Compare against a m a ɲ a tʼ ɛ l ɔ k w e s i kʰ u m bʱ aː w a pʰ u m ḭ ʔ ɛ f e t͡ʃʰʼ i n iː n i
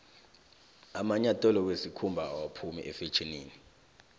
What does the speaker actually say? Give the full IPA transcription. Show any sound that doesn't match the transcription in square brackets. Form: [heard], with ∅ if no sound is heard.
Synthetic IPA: a m a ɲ a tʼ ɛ l ɔ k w e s i kʰ u m bʱ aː w a pʰ u m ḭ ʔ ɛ f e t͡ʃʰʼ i n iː n i